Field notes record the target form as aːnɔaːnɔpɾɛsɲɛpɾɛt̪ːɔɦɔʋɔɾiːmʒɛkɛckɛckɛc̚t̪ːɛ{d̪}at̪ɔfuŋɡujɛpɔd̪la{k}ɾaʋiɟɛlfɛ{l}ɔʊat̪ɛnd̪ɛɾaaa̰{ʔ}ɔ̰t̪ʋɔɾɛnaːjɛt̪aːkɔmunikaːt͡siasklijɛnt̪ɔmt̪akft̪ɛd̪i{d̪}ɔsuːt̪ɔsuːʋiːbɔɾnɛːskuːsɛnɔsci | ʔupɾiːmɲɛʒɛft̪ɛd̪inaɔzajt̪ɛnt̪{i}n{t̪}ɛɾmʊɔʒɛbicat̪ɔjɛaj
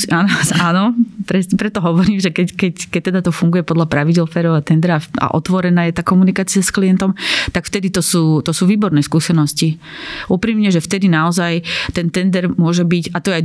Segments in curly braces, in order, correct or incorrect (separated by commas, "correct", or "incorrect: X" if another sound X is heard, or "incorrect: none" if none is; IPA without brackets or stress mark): correct, incorrect: p, incorrect: ɾ, correct, incorrect: t̪, incorrect: ɛ, incorrect: d̪